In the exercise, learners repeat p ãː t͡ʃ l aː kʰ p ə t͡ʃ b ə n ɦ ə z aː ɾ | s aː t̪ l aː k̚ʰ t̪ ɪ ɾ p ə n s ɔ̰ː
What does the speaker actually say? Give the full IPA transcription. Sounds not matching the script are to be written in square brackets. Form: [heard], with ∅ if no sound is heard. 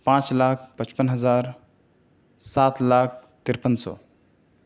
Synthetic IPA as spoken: p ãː t͡ʃ l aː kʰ p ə t͡ʃ [p] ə n ɦ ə z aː ɾ | s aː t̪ l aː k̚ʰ t̪ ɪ ɾ p ə n s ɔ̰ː